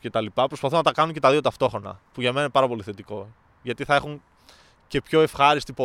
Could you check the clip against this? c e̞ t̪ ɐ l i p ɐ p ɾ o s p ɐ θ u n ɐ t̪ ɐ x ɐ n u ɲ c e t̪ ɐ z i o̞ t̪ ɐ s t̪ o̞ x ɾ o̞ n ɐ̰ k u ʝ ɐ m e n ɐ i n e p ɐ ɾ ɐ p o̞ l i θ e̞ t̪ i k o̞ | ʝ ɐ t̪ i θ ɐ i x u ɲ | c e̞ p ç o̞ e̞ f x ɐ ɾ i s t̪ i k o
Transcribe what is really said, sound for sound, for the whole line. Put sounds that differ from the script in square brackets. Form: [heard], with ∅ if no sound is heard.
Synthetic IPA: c e̞ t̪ ɐ l i p ɐ p ɾ o s p ɐ θ u n ɐ t̪ ɐ [k] ɐ n u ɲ c e t̪ ɐ [ð] i o̞ t̪ ɐ [f] t̪ o̞ x ɾ o̞ n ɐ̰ [p] u ʝ ɐ m e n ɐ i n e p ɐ ɾ ɐ p o̞ l i θ e̞ t̪ i k o̞ | ʝ ɐ t̪ i θ ɐ [e] x u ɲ | c e̞ p ç o̞ e̞ f x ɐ ɾ i s t̪ i [p] o